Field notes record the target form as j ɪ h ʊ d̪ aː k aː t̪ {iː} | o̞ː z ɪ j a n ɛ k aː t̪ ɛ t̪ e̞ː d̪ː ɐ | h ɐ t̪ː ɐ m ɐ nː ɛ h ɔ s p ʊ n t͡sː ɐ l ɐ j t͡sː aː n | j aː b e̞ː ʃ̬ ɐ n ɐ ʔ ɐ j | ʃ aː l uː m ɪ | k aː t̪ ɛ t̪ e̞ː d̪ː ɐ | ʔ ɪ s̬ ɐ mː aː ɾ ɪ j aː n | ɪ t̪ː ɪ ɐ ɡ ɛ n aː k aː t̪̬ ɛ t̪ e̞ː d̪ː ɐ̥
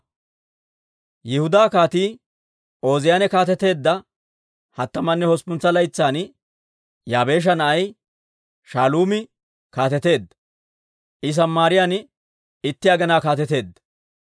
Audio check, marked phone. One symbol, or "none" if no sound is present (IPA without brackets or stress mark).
iː